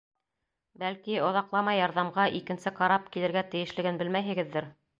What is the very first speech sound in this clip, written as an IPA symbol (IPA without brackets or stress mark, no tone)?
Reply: b